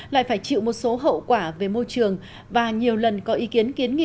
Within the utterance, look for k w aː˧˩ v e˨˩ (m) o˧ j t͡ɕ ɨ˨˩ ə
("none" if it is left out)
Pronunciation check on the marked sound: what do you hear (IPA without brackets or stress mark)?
m